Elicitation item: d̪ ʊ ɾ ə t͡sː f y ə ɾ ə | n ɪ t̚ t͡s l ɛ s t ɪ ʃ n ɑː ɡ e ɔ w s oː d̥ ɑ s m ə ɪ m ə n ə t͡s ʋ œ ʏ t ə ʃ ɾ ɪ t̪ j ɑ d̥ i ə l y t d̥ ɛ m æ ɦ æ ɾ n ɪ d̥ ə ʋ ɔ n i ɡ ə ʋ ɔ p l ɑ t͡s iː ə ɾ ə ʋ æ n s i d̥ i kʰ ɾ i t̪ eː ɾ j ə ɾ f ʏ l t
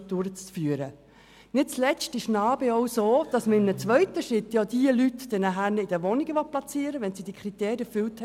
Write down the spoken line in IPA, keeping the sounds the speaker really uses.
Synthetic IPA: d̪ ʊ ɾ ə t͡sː f y ə ɾ ə | n ɪ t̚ t͡s l ɛ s t ɪ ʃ n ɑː b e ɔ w s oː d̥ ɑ s m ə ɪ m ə n ə t͡s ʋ œ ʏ t ə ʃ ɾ ɪ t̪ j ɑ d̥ i ə l y t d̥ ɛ n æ ɦ æ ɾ n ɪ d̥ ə ʋ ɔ n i ɡ ə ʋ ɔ p l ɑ t͡s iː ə ɾ ə ʋ ɛ n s i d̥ i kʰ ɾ i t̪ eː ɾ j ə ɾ f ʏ l t